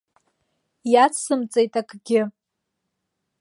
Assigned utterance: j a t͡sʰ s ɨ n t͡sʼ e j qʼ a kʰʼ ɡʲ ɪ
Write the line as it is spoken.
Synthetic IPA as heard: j a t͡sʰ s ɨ m t͡sʼ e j tʼ a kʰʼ ɡʲ ɪ